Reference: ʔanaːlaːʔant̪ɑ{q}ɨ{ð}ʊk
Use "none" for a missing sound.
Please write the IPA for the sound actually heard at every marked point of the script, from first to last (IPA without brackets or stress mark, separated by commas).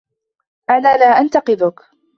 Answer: q, ð